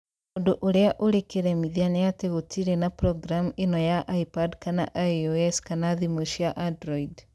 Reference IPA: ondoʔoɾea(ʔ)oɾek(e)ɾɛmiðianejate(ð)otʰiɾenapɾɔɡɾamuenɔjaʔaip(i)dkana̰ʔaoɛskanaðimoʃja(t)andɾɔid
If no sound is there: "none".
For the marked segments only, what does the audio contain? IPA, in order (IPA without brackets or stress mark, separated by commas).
ʔ, e, ɣ, a, ʔ